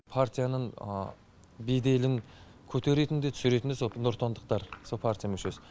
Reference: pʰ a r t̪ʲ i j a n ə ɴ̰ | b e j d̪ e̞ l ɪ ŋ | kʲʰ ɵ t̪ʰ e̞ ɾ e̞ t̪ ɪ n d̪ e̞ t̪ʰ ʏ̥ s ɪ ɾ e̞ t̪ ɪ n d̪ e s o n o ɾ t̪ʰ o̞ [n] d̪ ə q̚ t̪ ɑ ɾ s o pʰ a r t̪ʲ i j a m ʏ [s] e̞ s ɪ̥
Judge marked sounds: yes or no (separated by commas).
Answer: yes, no